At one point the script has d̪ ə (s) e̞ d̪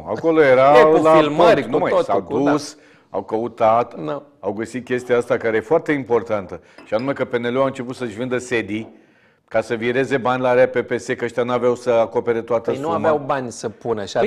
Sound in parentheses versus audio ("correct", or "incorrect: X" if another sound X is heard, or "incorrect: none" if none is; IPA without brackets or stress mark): correct